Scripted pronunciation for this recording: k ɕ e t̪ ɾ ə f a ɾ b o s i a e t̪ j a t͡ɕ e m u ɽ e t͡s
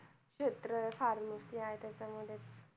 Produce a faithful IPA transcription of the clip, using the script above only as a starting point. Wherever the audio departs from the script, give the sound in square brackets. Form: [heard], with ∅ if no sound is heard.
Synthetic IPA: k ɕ e t̪ ɾ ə f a ɾ [m] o s i a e t̪ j a t͡ɕ [a] m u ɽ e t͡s